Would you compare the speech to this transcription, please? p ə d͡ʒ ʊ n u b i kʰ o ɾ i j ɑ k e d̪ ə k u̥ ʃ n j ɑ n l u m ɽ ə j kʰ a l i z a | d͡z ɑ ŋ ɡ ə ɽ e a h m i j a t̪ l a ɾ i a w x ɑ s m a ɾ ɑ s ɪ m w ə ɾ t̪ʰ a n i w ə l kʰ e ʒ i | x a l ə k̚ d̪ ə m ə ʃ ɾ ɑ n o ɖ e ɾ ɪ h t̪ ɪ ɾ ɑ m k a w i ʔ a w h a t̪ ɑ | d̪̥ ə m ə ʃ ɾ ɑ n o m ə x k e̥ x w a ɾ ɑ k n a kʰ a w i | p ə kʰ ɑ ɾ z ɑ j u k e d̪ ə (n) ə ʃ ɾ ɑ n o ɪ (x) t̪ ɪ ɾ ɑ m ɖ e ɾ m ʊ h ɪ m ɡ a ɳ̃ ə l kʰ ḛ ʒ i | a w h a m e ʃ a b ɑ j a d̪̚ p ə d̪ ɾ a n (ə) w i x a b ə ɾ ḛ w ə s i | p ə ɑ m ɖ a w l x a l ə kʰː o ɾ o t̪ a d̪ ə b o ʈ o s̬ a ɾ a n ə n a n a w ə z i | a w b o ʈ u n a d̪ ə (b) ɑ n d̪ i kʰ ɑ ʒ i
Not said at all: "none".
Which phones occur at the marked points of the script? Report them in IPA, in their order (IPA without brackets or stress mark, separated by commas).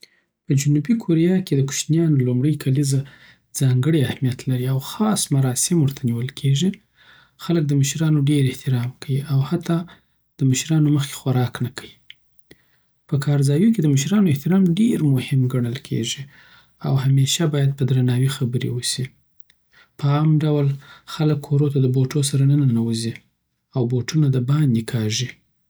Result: m, h, ɑ, b